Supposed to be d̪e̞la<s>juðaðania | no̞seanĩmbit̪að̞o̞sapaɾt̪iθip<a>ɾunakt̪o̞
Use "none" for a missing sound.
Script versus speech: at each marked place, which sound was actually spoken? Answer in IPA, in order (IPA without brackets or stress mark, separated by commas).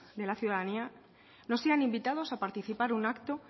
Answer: θ, a